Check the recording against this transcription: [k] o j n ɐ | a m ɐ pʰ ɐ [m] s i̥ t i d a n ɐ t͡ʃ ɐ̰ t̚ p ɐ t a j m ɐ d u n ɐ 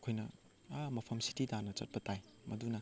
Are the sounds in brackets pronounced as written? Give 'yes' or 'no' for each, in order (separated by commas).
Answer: no, yes